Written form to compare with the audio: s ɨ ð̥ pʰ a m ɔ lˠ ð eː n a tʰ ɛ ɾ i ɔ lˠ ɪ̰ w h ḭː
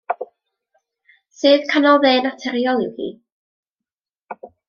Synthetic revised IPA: s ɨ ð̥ kʰ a n ɔ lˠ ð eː n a tʰ ɛ ɾ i ɔ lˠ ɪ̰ w h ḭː